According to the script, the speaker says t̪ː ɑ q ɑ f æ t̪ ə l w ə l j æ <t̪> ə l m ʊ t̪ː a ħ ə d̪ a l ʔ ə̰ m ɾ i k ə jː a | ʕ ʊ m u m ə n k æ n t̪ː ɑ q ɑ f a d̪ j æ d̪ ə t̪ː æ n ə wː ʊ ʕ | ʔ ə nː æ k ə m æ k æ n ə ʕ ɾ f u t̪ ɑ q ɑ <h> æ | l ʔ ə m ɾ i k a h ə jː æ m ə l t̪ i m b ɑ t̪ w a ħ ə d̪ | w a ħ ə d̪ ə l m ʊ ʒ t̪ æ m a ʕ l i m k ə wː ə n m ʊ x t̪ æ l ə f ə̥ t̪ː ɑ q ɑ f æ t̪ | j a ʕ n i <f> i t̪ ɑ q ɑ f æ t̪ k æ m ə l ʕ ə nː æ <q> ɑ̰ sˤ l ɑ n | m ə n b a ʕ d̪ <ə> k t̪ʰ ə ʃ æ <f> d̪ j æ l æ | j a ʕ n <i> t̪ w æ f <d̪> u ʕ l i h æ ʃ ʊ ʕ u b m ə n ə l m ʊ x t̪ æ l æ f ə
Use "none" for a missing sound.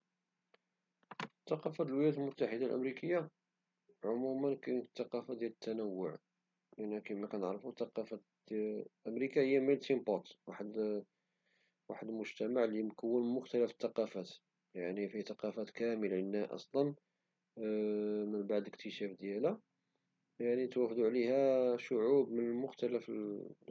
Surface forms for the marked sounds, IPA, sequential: t̪, f, f, ʔ, ə, f, i, d̪

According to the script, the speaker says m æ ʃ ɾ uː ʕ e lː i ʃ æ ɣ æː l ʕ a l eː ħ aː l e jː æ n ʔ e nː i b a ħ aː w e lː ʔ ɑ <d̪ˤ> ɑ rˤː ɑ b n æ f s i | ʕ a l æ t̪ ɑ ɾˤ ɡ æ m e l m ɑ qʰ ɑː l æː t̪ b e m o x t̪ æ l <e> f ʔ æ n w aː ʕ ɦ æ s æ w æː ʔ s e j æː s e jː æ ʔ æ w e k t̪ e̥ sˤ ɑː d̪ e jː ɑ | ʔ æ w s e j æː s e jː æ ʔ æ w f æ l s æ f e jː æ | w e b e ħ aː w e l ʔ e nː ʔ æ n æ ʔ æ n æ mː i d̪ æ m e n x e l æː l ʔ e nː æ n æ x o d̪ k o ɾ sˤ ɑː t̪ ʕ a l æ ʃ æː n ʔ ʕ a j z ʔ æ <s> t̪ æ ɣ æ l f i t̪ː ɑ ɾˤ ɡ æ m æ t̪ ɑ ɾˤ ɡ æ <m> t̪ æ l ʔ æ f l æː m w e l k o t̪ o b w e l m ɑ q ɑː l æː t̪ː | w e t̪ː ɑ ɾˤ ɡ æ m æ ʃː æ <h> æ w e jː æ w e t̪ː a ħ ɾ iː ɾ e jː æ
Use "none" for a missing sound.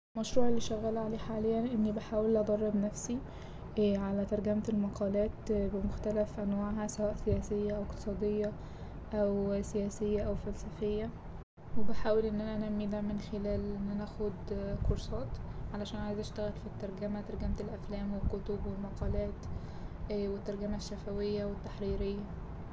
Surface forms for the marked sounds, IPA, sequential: d̪ˤ, æ, ʃ, m, f

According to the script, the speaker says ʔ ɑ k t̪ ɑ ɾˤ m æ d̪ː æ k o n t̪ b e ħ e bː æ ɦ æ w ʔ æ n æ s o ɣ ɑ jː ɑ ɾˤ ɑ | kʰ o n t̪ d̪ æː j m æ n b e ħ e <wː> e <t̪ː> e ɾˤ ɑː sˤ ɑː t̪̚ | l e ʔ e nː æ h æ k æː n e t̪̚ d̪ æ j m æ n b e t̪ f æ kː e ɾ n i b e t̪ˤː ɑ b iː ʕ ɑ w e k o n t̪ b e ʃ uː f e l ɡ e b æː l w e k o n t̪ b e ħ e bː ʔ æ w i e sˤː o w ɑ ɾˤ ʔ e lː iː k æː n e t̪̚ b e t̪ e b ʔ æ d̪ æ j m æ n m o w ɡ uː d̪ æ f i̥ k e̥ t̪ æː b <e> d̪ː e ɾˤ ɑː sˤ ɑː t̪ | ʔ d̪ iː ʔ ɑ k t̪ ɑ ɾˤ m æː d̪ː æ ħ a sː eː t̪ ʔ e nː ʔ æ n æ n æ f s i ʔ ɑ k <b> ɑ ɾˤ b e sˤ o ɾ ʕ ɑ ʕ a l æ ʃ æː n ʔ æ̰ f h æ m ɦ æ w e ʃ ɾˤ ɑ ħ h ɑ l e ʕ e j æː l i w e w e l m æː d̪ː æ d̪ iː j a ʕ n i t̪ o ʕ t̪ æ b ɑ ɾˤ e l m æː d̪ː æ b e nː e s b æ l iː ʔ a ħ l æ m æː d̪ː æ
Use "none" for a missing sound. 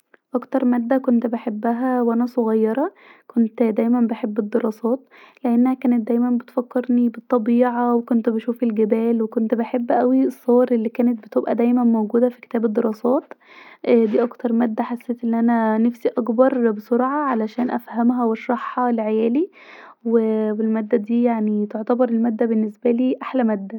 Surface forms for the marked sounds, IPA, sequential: bː, d̪ː, e, b

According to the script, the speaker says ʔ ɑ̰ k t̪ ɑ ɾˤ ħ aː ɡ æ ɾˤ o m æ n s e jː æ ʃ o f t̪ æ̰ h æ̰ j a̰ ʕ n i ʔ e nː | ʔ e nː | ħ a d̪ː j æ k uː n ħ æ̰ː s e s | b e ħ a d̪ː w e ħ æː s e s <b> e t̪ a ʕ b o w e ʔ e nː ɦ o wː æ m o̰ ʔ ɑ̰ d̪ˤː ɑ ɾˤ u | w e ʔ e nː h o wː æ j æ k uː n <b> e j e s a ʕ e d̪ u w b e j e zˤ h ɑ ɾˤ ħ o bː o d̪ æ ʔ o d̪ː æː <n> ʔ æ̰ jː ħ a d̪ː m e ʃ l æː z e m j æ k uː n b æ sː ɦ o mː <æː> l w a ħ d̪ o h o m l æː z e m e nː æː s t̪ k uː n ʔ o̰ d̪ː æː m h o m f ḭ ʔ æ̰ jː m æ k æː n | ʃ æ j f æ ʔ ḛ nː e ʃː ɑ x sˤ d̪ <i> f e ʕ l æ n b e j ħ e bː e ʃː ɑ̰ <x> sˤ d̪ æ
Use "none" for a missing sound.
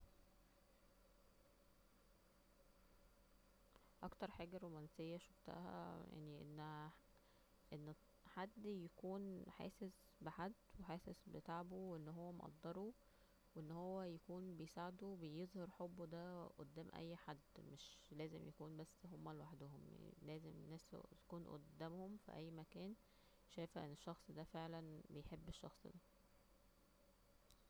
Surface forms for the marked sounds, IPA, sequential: b, b, m, æ, æ, x

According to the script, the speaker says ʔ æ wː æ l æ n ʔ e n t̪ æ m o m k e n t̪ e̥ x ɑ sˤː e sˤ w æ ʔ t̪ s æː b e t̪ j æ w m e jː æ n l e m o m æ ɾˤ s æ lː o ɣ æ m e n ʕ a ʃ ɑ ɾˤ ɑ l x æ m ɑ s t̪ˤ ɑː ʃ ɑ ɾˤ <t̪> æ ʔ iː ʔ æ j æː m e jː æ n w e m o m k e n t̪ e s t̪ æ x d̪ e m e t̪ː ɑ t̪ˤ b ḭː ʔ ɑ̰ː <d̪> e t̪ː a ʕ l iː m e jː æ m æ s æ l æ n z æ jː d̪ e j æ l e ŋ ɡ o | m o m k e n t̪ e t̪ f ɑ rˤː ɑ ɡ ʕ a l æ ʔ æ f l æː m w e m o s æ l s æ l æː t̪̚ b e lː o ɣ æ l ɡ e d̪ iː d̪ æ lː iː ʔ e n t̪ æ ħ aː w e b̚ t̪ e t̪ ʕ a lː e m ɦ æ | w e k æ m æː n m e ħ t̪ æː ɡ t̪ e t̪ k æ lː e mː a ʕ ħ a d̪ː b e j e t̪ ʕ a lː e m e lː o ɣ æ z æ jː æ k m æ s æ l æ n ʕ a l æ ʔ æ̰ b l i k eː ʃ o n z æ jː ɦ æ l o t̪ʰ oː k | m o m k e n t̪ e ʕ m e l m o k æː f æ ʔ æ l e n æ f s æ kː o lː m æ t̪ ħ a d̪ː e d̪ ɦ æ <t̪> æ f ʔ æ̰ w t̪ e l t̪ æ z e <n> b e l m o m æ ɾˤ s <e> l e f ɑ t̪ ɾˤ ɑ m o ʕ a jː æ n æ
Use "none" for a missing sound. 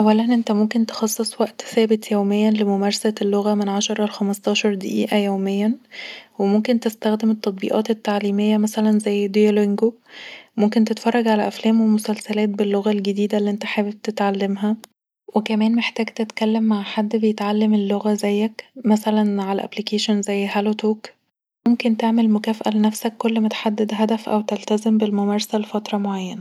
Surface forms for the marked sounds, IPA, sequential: d̪, t̪, d̪, m, æ

